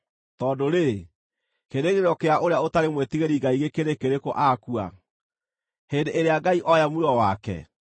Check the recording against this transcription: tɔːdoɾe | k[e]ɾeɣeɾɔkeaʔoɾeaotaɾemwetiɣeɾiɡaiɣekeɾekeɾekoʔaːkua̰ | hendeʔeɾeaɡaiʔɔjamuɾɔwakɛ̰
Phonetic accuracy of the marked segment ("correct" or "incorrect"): correct